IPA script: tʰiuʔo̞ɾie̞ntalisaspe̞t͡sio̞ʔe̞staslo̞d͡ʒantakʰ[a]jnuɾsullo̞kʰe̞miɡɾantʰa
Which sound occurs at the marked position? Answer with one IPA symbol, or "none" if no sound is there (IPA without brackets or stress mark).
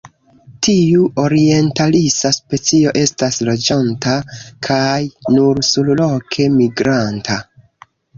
a